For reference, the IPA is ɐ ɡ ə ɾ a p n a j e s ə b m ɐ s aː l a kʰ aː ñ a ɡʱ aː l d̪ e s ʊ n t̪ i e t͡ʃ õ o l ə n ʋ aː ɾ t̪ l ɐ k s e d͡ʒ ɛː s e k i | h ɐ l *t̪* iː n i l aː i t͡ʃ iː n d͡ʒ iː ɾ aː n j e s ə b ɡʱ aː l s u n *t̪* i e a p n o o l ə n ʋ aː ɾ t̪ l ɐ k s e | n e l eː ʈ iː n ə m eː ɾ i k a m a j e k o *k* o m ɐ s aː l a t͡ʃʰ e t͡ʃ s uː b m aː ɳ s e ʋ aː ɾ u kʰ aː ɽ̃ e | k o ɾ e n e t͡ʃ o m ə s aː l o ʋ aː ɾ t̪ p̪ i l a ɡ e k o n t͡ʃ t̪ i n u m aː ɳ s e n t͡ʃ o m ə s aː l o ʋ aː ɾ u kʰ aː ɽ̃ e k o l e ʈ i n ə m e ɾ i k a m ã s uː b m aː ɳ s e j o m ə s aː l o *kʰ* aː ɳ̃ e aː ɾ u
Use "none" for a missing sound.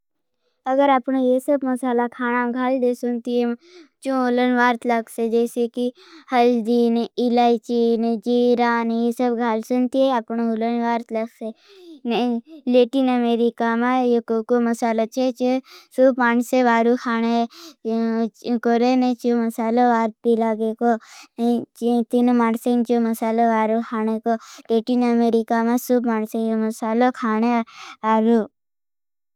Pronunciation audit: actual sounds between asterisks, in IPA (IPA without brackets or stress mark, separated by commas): d̪, t̪, k, kʰ